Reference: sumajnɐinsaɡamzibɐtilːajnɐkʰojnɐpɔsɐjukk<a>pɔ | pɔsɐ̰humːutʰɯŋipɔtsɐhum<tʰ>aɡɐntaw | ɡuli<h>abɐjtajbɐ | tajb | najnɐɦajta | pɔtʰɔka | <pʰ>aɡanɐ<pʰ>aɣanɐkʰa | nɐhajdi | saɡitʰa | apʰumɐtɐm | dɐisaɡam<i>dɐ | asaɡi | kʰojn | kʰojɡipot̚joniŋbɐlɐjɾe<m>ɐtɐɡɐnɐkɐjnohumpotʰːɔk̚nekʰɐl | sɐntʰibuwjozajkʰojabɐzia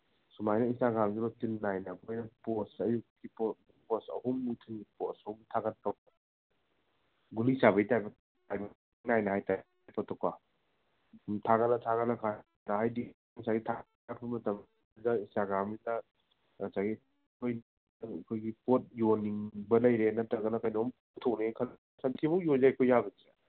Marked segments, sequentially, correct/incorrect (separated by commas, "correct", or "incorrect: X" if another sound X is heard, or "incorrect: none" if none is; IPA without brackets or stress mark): incorrect: i, correct, incorrect: s, incorrect: tʰ, incorrect: tʰ, correct, incorrect: n